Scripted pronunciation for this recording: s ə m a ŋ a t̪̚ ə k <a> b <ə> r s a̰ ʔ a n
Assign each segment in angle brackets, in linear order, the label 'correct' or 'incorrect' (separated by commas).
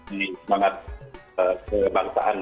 incorrect, incorrect